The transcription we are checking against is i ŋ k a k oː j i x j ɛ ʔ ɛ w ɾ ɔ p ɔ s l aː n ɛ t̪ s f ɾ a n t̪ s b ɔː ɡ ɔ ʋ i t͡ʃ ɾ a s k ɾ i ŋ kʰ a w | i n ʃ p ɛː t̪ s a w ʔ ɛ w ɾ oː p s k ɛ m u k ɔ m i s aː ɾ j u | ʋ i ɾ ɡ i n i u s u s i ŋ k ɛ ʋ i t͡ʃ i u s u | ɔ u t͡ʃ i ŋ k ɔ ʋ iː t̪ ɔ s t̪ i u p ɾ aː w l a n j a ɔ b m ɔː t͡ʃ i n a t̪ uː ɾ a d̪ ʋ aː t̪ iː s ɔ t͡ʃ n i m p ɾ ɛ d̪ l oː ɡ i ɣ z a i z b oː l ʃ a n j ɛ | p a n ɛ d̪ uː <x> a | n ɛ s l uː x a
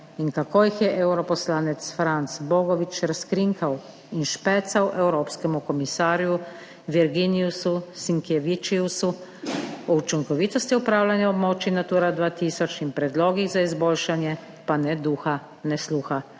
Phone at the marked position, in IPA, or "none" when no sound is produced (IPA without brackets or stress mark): x